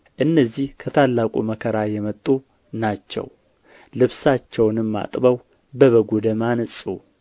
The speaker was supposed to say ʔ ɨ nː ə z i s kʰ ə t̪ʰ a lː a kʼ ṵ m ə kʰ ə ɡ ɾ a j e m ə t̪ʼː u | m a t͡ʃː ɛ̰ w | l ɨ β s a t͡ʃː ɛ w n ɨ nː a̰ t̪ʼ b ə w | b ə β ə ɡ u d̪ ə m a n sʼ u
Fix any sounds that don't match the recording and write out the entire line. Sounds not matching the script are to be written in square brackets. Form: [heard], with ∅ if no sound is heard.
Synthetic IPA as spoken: ʔ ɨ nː ə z i [h] kʰ ə t̪ʰ a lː a kʼ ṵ m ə kʰ ə [∅] ɾ a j [ɛ] m ə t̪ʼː u | [n] a t͡ʃː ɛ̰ w | l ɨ β s a t͡ʃː ɛ w n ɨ [mː] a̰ t̪ʼ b ə w | b ə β ə ɡ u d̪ ə m a n sʼ u